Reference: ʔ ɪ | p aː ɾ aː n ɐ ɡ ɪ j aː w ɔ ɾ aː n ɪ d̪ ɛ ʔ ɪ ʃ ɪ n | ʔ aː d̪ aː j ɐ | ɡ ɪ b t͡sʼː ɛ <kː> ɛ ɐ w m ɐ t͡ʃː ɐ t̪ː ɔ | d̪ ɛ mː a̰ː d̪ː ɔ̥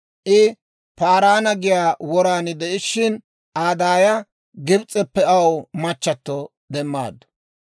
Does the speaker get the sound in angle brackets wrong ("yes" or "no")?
yes